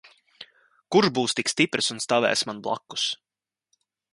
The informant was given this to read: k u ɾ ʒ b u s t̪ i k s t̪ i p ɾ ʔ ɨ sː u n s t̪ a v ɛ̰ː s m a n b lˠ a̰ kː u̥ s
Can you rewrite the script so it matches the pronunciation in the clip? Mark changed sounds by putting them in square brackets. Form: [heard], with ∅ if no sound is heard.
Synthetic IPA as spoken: k u ɾ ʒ b [uː] s t̪ i k s t̪ i p ɾ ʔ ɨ [s] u n s t̪ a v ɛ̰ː s m a n b lˠ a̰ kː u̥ s